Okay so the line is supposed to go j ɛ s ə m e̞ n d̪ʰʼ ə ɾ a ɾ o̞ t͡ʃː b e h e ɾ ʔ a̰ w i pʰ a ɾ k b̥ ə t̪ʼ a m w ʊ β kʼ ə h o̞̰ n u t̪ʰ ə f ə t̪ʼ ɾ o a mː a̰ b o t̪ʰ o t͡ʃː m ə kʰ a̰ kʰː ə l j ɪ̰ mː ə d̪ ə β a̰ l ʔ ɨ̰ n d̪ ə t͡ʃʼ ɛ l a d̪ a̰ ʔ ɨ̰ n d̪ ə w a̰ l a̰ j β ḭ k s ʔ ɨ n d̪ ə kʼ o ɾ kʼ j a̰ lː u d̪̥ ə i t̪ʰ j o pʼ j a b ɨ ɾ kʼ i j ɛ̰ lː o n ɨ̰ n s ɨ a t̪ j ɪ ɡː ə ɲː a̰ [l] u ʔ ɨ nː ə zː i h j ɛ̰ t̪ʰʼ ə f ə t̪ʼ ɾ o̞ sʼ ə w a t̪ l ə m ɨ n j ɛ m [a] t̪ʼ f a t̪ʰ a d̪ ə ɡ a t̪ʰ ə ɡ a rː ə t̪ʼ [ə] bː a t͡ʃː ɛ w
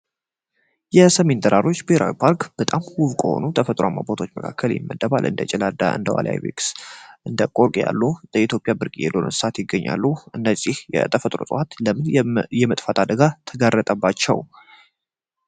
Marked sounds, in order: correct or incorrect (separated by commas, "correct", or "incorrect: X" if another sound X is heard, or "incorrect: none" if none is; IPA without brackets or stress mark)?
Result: incorrect: lː, incorrect: ə, correct